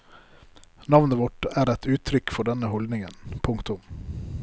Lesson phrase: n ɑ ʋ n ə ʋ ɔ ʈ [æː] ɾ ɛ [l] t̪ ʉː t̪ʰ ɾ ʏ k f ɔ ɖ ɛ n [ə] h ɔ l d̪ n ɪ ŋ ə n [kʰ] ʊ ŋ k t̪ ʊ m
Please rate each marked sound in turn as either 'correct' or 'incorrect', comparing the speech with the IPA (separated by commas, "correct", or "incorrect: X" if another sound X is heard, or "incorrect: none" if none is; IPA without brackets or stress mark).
correct, incorrect: none, correct, incorrect: pʰ